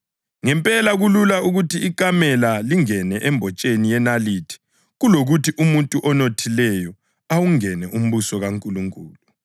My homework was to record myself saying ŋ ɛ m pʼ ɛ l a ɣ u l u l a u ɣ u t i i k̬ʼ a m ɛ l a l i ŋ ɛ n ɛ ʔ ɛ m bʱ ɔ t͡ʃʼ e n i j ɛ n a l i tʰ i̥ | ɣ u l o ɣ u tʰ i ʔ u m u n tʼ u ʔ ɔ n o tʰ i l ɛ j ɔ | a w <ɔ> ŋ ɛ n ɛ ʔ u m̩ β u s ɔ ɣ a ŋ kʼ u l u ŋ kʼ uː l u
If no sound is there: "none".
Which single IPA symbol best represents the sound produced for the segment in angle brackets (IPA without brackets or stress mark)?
u